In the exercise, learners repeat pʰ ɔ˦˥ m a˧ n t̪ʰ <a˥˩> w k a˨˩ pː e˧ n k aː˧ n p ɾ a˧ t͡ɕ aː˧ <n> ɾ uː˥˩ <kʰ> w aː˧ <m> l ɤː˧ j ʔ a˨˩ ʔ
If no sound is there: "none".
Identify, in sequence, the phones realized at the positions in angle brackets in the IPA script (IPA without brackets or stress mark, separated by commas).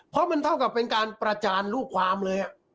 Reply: a˥˩, n, kʰ, m